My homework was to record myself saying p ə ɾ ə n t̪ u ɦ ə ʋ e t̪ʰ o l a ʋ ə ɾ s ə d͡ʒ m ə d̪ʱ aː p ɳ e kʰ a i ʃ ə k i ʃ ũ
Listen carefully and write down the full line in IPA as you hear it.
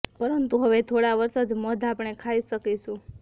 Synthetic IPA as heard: p ə ɾ ə n t̪ u ɦ ə ʋ e t̪ʰ o ɽ a ʋ ə ɾ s ə d͡ʒ m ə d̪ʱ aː p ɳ e kʰ a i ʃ ə k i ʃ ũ

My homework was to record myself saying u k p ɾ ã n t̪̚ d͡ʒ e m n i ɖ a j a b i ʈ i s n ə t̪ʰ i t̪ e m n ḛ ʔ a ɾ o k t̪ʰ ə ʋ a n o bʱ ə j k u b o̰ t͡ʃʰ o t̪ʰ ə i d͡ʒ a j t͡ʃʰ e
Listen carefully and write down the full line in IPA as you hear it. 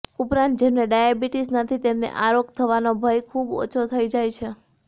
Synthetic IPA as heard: u p ɾ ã n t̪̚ d͡ʒ e m n e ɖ a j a b i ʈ i s n ə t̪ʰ i t̪ e m n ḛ ʔ a ɾ o k t̪ʰ ə ʋ a n o bʱ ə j kʰ u b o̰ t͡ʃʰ o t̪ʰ ə i d͡ʒ a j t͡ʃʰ e

